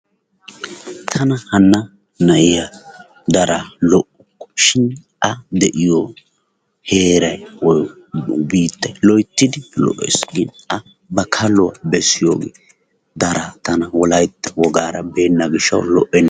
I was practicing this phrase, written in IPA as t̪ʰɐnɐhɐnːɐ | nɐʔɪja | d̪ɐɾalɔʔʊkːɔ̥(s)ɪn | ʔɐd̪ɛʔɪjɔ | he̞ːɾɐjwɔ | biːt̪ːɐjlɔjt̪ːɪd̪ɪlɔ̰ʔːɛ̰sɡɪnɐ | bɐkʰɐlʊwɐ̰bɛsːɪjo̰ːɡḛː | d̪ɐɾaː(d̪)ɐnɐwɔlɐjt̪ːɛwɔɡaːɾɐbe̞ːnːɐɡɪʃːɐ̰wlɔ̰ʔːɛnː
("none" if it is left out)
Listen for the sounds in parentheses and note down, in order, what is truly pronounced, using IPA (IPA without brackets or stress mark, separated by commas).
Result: ʃ, t̪